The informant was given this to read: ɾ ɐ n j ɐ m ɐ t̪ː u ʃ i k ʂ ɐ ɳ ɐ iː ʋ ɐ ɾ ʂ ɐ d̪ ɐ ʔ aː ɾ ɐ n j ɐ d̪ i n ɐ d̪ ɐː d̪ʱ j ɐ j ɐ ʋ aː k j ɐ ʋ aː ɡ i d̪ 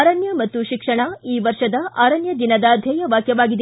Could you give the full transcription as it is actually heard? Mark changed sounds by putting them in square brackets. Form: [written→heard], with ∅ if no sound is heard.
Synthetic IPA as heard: ɾ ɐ n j ɐ m ɐ t̪ː u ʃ i k ʂ ɐ ɳ ɐ iː ʋ ɐ ɾ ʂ ɐ d̪ ɐ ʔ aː ɾ ɐ n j ɐ d̪ i n ɐ d̪ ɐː d̪ʱ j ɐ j ɐ ʋ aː k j ɐ ʋ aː ɡ i d̪